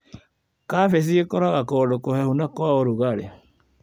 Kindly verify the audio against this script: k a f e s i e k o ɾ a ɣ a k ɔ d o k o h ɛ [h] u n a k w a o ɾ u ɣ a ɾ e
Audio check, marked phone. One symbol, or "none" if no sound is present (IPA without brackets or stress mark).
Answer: h